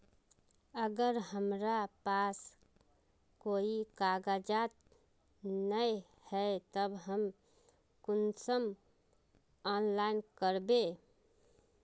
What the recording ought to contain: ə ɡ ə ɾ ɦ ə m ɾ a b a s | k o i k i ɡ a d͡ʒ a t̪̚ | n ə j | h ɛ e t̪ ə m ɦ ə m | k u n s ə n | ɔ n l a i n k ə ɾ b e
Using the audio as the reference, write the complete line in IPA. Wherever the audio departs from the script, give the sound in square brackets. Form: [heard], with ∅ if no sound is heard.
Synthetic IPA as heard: ə ɡ ə ɾ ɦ ə m ɾ a [p] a s | k o i k [a] ɡ a d͡ʒ a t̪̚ | n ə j | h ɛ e t̪ ə [b] ɦ ə m | k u n s ə [m] | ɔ n l a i n k ə ɾ b e